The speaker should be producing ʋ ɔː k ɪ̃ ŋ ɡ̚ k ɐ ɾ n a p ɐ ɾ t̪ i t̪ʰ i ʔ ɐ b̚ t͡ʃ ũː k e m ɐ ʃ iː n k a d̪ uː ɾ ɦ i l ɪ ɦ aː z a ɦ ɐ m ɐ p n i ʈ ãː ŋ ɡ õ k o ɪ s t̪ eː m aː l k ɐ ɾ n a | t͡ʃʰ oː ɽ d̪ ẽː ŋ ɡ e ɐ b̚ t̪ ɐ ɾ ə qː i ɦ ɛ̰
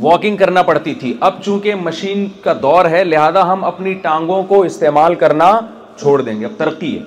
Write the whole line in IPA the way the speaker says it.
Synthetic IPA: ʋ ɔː k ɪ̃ ŋ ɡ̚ k ɐ ɾ n a p ɐ ɽ t̪ i t̪ʰ i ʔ ɐ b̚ t͡ʃ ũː k e m ɐ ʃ iː n k a d̪ ɔː ɾ ɦ ɛ l ɪ ɦ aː z a ɦ ɐ m ɐ p n i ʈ ãː ŋ ɡ õ k o ɪ s t̪ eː m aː l k ɐ ɾ n a | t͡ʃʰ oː ɽ d̪ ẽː ŋ ɡ e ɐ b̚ t̪ ɐ ɾ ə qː i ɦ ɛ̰